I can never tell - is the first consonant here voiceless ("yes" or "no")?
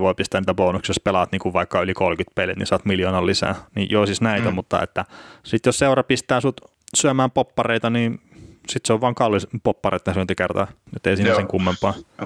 no